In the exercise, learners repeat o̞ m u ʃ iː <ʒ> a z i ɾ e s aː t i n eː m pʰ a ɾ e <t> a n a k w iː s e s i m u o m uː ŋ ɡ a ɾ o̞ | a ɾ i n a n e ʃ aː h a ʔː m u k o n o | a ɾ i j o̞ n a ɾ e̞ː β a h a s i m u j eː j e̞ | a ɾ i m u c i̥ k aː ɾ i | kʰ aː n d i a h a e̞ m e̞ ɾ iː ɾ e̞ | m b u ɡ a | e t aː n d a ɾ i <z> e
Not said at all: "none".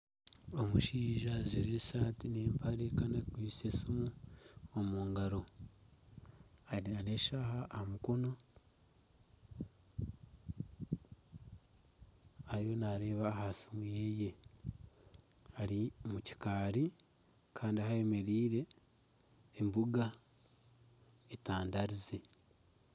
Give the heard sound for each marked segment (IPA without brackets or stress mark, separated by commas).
ʒ, k, z